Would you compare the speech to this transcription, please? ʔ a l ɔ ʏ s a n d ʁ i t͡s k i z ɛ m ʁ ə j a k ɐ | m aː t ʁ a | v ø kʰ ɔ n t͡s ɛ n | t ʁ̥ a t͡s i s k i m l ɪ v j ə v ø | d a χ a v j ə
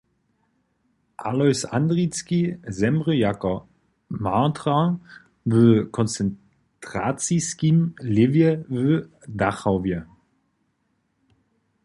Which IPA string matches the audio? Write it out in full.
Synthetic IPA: ʔ a l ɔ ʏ s a n d ʁ i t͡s k i z ɛ m ʁ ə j a k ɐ | m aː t ʁ a | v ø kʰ ɔ n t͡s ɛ n | t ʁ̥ a t͡s i s k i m l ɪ v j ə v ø | d a χ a v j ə